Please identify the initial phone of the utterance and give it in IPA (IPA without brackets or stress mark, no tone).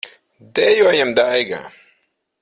d̪